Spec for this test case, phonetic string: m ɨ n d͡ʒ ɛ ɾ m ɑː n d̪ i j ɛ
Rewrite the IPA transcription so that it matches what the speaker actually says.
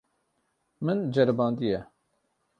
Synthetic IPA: m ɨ n d͡ʒ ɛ ɾ b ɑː n d̪ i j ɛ